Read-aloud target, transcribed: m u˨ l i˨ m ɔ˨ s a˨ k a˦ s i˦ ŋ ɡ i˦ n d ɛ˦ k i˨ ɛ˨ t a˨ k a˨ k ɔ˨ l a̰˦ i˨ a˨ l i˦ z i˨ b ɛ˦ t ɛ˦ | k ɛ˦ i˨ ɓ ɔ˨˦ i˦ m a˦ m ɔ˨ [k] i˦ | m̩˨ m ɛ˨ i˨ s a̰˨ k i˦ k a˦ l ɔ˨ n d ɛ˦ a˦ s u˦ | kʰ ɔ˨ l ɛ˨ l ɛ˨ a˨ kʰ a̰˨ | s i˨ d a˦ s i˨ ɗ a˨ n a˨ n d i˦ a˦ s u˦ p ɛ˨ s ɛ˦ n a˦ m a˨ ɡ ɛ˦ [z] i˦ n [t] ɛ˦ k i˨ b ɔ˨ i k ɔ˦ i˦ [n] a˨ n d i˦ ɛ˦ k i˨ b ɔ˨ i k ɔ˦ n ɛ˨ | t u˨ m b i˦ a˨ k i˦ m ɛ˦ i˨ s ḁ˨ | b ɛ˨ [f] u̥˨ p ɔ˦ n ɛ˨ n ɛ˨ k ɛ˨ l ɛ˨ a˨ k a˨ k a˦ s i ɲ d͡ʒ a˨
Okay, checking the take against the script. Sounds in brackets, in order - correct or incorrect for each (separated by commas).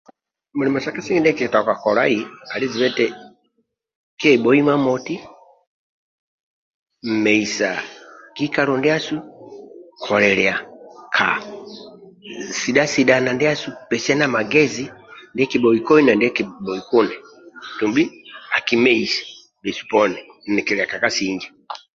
incorrect, correct, incorrect, correct, incorrect